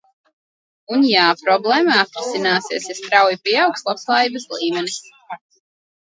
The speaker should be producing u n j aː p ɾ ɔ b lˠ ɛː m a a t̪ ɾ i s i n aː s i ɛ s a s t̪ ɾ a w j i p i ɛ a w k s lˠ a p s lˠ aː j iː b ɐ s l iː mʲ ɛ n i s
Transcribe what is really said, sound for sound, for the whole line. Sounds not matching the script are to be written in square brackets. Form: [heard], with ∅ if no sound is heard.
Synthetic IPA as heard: u n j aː p ɾ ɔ b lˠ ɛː m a a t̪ ɾ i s i n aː s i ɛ s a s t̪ ɾ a w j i p i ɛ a w k s lˠ a p s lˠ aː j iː b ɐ s l iː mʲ ɛ n i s